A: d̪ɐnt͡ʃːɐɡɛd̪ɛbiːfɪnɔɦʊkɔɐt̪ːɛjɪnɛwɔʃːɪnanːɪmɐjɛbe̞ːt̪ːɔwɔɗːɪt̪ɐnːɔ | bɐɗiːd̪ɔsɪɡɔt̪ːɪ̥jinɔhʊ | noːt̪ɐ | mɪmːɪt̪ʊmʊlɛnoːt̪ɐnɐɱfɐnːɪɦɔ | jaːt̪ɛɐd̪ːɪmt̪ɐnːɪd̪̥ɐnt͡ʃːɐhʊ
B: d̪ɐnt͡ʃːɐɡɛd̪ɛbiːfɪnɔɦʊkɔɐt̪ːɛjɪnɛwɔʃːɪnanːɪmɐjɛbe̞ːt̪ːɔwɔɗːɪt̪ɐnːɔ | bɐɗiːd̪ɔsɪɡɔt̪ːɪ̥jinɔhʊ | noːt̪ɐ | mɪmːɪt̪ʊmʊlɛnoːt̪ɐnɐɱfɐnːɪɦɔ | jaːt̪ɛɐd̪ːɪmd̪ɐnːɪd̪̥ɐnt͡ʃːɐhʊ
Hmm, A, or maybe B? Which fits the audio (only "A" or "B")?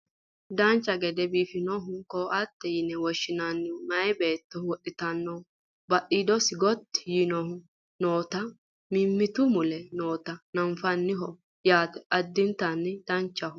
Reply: A